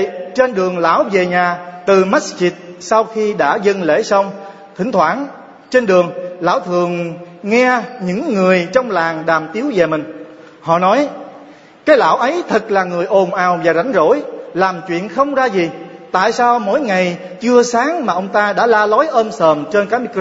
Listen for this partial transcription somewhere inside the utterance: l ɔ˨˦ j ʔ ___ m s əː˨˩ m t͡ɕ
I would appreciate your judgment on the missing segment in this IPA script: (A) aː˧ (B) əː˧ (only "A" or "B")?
B